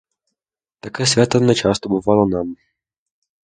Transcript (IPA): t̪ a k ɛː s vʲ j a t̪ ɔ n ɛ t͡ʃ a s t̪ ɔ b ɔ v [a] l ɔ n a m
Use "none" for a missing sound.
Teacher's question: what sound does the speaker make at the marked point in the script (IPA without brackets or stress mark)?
a